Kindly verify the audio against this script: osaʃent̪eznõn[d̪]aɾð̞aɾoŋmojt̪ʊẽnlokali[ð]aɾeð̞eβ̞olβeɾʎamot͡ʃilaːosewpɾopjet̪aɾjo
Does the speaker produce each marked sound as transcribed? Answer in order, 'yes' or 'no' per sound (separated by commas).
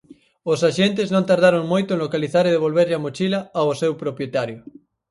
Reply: no, no